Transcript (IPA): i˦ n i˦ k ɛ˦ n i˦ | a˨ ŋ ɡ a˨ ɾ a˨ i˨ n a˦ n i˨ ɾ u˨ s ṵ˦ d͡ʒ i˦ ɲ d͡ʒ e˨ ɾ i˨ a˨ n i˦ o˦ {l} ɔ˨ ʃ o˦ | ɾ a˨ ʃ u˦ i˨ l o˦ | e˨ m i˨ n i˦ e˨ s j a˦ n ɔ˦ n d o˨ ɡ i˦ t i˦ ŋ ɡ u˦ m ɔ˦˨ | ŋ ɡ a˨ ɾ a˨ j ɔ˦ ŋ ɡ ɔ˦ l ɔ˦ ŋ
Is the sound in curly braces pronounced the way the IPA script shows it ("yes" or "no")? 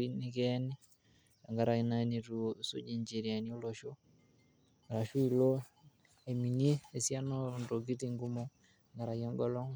yes